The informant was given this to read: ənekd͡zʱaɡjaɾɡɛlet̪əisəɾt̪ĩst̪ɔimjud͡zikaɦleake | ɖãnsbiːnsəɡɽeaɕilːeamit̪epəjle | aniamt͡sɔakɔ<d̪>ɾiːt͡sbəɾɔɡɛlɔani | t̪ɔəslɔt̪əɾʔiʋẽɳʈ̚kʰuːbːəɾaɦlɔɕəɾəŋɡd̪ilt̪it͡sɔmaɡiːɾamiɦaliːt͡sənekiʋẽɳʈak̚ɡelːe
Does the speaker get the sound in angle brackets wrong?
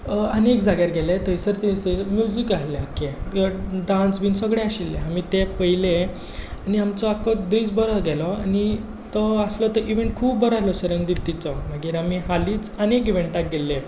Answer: no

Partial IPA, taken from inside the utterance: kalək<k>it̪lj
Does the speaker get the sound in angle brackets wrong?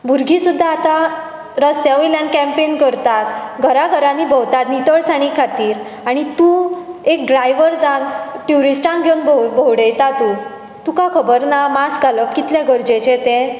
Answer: no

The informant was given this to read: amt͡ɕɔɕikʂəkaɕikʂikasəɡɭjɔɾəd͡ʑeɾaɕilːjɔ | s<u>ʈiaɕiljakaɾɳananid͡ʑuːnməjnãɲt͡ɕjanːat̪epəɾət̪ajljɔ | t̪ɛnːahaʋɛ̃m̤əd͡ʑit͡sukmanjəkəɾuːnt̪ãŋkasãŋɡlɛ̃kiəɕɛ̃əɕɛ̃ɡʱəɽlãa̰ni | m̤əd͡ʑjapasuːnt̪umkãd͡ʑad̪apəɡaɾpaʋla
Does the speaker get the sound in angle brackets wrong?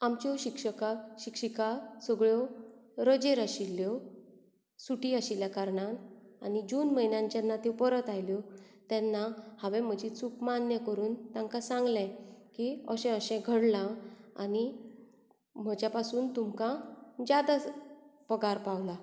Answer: no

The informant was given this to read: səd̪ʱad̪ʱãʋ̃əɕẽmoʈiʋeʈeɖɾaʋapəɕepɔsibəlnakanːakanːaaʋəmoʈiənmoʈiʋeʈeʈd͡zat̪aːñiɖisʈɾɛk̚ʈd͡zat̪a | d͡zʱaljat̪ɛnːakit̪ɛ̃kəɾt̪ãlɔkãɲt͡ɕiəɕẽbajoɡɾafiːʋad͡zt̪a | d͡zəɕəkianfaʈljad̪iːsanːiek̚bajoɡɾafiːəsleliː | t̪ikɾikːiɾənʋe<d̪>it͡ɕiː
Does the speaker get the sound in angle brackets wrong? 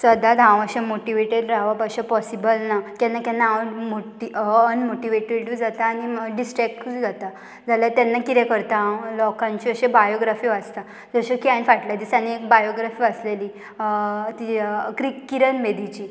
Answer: no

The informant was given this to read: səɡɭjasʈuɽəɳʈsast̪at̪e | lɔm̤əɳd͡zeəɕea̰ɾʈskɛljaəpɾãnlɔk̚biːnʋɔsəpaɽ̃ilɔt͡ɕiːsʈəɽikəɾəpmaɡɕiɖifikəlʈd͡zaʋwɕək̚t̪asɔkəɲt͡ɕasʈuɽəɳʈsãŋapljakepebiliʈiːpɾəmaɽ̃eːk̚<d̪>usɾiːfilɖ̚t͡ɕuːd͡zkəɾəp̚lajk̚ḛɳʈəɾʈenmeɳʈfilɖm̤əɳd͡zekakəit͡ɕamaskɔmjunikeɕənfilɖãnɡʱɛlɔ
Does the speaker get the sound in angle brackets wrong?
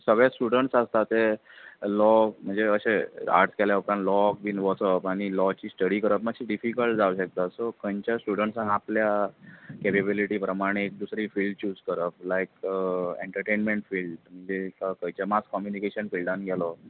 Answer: no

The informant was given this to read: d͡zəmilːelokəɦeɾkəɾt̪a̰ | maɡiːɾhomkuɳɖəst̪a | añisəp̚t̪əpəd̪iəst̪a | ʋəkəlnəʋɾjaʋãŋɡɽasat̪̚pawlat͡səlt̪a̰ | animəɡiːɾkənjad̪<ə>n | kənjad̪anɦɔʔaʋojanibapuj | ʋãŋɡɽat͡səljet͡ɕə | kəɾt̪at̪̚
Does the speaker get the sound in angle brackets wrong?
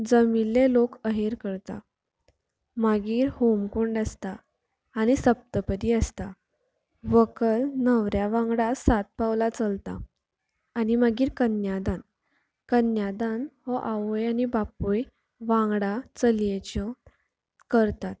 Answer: yes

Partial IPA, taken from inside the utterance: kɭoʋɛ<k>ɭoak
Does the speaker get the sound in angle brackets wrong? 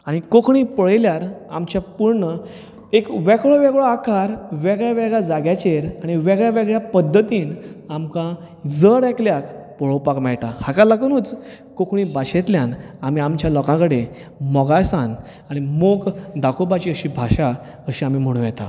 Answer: yes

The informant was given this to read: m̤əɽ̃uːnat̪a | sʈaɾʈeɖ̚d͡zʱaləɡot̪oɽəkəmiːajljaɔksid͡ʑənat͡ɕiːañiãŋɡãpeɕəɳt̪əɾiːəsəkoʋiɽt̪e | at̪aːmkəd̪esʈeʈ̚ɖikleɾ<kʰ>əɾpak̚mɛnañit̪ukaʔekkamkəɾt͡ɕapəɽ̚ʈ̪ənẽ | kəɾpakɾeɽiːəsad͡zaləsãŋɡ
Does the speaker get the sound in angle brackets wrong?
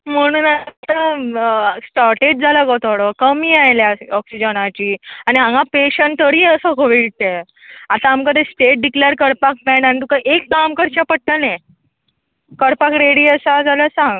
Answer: yes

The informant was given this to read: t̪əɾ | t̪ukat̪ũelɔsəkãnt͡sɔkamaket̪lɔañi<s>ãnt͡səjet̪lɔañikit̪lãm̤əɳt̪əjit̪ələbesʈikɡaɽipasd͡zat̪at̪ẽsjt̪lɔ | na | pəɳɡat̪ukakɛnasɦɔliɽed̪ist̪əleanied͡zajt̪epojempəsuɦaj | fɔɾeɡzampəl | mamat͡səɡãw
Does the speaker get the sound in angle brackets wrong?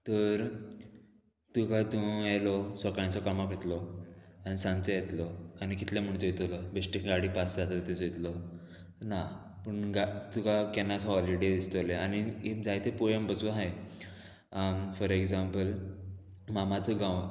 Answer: no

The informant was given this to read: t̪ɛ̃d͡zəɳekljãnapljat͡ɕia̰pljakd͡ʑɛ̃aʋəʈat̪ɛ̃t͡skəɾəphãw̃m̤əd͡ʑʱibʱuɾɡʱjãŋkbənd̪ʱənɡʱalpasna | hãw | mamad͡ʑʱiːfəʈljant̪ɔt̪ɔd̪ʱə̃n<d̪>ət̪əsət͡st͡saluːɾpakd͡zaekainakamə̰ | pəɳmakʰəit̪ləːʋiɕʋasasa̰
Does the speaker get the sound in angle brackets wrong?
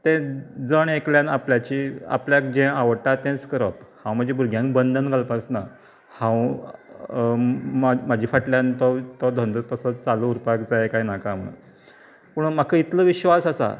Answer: no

